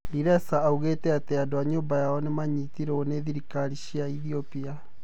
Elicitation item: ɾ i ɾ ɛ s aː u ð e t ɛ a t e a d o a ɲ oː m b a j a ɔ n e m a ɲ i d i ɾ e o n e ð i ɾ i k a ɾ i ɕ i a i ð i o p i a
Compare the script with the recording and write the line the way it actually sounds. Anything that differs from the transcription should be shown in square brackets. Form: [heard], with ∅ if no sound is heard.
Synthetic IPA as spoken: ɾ i ɾ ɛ s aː u [ɣ] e t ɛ a t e a d o a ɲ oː m b a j a ɔ n e m a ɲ i [t] i ɾ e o n e ð i ɾ i k a ɾ i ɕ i a i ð i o p i a